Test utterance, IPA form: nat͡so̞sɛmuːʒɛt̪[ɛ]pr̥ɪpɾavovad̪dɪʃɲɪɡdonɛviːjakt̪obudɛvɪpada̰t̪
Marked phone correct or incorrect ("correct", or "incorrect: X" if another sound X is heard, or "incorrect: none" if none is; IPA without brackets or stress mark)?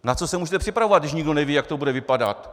correct